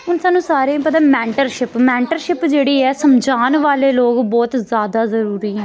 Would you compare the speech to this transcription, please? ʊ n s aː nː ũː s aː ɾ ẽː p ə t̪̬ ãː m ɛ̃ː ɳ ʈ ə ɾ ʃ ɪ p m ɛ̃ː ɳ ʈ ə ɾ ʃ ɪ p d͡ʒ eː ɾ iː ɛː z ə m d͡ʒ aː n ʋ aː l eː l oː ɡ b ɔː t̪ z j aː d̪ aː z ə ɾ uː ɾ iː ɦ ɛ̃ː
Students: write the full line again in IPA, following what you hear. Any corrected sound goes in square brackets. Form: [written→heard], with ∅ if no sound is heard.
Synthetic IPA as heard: ʊ n s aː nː ũː s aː ɾ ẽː p ə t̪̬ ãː m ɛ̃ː ɳ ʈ ə ɾ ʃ ɪ p m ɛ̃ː ɳ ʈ ə ɾ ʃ ɪ p d͡ʒ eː [ɾ→ɽ] iː ɛː [z→s] ə m d͡ʒ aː n ʋ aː l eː l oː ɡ b ɔː t̪ z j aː d̪ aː z ə ɾ uː ɾ iː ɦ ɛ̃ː

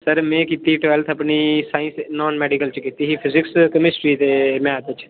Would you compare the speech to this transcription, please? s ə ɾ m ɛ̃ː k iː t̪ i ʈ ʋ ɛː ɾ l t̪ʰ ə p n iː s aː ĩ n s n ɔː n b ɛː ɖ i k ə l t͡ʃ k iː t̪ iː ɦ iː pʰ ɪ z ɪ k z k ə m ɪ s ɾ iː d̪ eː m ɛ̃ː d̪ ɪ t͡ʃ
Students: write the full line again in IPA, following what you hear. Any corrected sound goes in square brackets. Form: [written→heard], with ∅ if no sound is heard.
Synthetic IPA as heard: s ə ɾ m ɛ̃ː k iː t̪ i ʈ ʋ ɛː [ɾ→∅] l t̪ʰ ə p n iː s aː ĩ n s n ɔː n [b→m] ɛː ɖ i k ə l t͡ʃ k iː t̪ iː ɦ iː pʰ ɪ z ɪ k [z→s] k ə m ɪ s ɾ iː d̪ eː m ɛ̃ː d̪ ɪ t͡ʃ

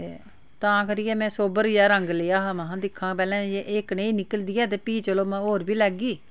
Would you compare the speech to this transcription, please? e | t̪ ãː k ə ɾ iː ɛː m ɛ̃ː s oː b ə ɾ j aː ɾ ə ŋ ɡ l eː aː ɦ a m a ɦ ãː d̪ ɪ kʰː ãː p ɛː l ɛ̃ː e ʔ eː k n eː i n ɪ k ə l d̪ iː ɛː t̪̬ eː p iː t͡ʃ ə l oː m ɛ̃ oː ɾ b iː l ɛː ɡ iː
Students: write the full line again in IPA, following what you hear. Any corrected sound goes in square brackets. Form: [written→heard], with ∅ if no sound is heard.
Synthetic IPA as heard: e | t̪ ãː k ə ɾ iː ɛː m ɛ̃ː s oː b ə ɾ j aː ɾ ə ŋ ɡ l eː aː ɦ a m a ɦ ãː d̪ ɪ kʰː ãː p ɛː l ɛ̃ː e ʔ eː k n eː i n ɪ k ə l d̪ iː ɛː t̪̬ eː p iː t͡ʃ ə l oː m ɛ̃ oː ɾ b iː l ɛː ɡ iː

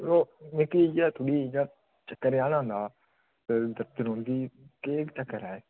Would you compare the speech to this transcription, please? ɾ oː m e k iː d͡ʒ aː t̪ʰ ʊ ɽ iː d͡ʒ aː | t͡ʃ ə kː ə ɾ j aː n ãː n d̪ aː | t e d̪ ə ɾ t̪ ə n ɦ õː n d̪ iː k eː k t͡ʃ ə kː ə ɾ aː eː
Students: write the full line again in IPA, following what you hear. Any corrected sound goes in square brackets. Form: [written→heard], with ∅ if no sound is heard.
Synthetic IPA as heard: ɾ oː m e k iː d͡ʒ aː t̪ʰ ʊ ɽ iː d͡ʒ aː | t͡ʃ ə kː ə ɾ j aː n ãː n d̪ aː | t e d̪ ə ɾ t̪ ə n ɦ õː n d̪ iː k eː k t͡ʃ ə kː ə ɾ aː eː

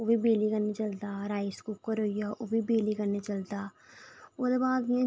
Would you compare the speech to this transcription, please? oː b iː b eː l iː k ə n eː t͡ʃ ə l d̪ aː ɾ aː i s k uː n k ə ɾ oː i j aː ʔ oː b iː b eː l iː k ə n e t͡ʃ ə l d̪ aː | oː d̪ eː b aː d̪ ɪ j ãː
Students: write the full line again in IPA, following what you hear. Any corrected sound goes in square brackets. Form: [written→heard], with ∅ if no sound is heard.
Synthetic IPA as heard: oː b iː b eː l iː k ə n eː t͡ʃ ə l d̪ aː ɾ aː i s k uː [n→∅] k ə ɾ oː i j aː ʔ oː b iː b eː l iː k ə n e t͡ʃ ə l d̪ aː | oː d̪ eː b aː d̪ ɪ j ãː

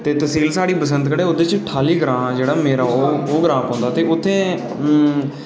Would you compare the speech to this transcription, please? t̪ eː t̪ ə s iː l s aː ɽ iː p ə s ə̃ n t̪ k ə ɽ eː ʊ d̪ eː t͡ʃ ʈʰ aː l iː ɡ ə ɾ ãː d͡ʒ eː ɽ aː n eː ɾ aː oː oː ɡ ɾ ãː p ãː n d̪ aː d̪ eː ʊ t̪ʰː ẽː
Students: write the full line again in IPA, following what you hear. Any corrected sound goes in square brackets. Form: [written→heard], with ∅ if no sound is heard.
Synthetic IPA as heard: t̪ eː t̪ ə s iː l s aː ɽ iː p ə s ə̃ n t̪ k ə ɽ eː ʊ d̪ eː t͡ʃ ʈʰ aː l iː ɡ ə ɾ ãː d͡ʒ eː ɽ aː [n→m] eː ɾ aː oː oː ɡ ɾ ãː p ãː n d̪ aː [d̪→t̪] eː ʊ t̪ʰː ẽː

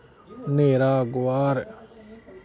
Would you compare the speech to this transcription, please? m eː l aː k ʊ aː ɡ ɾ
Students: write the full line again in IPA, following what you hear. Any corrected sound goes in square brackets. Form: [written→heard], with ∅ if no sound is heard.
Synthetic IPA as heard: [m→n] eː [l→ɾ] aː [k→ɡ] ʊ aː [ɡ→∅] ɾ

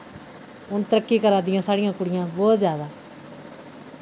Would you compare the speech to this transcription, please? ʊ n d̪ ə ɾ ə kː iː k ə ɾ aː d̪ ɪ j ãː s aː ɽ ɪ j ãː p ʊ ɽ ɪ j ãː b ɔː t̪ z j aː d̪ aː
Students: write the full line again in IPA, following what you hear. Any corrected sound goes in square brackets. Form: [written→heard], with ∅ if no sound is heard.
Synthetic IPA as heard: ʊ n [d̪→t̪] ə ɾ ə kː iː k ə ɾ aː d̪ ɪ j ãː s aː ɽ ɪ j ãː [p→k] ʊ ɽ ɪ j ãː b ɔː t̪ z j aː d̪ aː

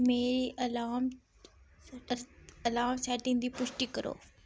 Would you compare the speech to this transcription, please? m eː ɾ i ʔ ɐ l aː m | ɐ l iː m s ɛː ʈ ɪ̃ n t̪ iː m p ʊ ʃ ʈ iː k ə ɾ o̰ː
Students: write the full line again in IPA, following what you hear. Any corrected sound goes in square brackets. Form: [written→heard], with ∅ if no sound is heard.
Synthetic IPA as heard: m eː ɾ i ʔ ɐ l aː m | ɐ l [iː→aː] m s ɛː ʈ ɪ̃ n [t̪→d̪] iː [m→∅] p ʊ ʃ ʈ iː k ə ɾ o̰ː

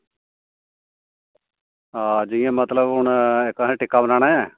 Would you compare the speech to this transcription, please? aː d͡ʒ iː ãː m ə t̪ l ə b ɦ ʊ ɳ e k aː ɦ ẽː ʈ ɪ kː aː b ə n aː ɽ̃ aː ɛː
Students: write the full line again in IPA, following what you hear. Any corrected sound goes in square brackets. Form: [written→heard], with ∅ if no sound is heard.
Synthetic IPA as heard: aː d͡ʒ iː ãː m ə t̪ l ə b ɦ ʊ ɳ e k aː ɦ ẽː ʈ ɪ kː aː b ə n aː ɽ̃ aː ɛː

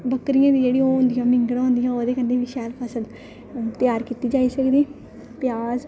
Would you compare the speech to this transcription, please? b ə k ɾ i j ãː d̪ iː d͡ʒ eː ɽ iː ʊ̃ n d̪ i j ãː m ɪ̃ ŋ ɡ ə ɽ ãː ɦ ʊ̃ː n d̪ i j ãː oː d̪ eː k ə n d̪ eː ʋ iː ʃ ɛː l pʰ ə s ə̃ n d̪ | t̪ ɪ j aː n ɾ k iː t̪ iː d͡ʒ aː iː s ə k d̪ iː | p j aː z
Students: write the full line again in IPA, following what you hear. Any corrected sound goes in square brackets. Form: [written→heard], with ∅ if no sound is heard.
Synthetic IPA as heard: b ə k ɾ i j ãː d̪ iː d͡ʒ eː ɽ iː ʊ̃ n d̪ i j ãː m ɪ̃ ŋ ɡ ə ɽ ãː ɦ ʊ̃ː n d̪ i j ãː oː d̪ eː k ə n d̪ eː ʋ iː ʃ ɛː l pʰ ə s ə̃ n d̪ | t̪ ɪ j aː [n→∅] ɾ k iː t̪ iː d͡ʒ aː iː s ə k d̪ iː | p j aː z

